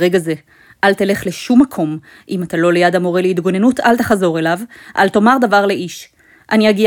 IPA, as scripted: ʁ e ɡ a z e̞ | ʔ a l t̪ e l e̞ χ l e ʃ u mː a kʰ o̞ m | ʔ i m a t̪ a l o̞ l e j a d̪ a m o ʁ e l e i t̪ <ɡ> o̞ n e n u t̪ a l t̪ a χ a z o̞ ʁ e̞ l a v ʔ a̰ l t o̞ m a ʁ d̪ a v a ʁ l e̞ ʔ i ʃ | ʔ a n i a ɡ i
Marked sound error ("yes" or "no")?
no